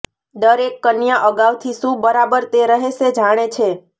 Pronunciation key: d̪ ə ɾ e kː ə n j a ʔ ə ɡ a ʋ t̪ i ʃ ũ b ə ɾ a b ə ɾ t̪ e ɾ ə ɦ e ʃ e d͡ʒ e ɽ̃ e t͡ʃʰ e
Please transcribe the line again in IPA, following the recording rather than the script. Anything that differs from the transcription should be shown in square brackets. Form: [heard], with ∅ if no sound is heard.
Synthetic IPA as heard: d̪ ə ɾ e kː ə n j a ʔ ə ɡ a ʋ [t̪ʰ] i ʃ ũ b ə ɾ a b ə ɾ t̪ e ɾ ə ɦ e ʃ e d͡ʒ [a] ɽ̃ e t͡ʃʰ e